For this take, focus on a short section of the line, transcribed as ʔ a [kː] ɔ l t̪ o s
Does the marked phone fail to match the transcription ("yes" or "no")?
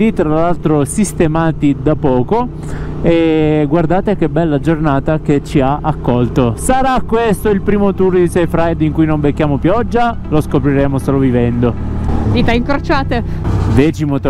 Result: no